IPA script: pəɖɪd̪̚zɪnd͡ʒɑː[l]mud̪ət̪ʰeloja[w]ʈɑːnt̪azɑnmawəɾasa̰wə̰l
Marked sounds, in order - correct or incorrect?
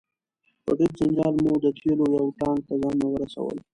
correct, correct

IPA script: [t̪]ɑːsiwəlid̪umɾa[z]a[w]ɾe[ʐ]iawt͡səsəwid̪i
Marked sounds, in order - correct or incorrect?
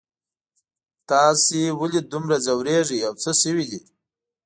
correct, correct, correct, correct

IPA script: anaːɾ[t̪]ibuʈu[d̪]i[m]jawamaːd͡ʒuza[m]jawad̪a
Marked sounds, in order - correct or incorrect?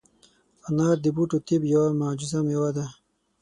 incorrect: d̪, incorrect: t̪, incorrect: b, correct

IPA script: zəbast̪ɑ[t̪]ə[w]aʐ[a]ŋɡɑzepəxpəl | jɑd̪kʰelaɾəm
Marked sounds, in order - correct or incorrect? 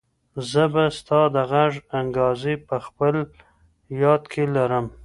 incorrect: d̪, incorrect: ɣ, correct

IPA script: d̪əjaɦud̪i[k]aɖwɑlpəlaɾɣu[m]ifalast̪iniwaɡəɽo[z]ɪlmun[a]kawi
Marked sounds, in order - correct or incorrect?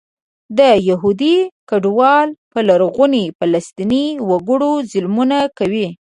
correct, incorrect: n, correct, correct

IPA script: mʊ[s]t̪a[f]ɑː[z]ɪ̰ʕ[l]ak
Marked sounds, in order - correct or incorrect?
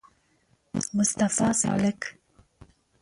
correct, correct, incorrect: s, correct

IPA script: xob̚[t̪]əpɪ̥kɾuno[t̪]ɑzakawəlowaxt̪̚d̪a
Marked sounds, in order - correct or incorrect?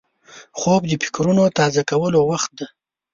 incorrect: d̪, correct

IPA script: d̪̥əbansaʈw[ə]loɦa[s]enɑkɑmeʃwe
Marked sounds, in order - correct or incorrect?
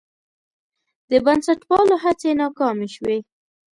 incorrect: ɑ, incorrect: t͡s

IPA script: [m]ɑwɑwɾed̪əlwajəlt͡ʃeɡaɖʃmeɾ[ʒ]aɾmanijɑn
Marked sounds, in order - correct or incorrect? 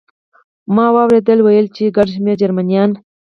correct, incorrect: d͡ʒ

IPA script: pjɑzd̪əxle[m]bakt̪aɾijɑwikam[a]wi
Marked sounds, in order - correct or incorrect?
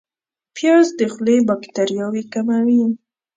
incorrect: none, correct

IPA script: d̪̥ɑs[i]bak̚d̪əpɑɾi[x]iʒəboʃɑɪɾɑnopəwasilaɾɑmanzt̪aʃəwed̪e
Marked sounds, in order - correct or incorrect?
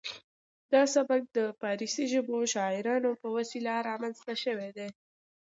incorrect: a, incorrect: s

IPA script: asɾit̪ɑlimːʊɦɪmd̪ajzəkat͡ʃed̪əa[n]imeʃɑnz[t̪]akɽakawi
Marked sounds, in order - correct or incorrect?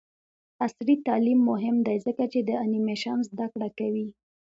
correct, incorrect: d̪

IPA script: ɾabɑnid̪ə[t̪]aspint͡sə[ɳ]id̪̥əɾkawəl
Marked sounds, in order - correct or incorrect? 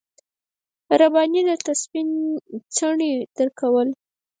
correct, correct

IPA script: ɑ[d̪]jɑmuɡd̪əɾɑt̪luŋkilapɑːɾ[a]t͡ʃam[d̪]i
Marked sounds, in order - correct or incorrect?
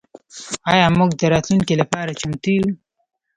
incorrect: none, correct, incorrect: t̪

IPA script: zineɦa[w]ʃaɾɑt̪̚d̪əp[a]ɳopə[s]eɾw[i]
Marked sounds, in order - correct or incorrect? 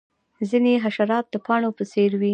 incorrect: none, incorrect: ɑ, correct, correct

